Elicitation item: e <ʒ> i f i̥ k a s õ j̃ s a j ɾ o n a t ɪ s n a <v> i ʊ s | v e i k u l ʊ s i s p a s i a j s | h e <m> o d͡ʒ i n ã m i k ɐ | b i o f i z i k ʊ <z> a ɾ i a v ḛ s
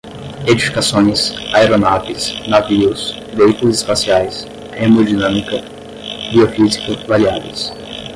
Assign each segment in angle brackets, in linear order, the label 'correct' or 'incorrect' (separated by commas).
incorrect, correct, correct, incorrect